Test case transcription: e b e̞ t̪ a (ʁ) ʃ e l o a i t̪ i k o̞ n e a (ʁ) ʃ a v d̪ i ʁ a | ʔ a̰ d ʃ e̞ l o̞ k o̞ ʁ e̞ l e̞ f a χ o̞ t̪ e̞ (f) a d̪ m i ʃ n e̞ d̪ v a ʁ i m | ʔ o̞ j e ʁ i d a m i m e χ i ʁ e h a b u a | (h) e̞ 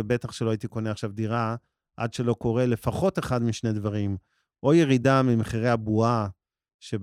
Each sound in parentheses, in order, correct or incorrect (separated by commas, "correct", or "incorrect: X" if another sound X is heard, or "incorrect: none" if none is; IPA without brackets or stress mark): incorrect: χ, incorrect: χ, incorrect: χ, incorrect: ʃ